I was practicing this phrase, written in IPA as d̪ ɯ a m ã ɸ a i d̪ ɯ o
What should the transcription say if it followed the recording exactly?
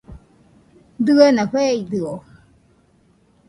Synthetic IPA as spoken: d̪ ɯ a n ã ɸ e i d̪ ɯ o